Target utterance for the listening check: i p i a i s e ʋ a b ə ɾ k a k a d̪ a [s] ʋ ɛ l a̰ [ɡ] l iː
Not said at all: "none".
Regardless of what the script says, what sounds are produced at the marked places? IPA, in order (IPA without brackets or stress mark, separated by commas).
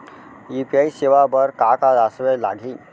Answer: s, ɡ